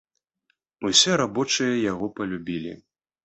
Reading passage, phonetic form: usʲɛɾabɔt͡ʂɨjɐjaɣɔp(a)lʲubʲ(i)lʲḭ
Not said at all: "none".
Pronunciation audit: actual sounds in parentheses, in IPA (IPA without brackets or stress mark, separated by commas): ɐ, i